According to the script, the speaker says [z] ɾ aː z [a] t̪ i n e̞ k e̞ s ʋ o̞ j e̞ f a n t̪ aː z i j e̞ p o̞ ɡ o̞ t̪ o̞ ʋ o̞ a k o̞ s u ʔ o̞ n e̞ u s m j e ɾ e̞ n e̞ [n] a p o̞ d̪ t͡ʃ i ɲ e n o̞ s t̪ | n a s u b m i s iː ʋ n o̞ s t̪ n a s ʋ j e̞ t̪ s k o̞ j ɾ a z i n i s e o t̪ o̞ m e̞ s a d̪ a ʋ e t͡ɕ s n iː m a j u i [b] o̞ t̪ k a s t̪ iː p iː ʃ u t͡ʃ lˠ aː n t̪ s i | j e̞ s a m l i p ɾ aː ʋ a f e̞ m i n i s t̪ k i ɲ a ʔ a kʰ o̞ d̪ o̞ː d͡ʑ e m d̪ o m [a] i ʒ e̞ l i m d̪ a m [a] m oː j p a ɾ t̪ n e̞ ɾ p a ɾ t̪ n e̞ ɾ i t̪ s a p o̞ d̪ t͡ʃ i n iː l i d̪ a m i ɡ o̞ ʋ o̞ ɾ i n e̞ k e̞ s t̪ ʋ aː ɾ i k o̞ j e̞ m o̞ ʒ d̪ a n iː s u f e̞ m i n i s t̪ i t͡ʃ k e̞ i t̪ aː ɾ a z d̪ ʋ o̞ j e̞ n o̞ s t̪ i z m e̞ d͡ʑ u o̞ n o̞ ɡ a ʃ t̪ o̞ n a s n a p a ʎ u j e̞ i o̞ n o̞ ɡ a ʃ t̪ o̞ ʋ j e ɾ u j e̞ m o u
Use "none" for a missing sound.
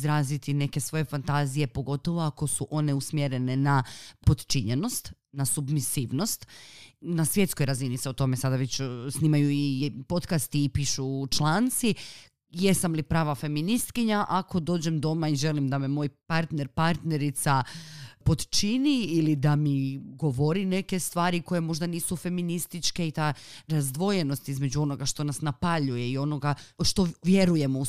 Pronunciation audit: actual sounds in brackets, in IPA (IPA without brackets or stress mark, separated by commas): z, i, n, p, a, e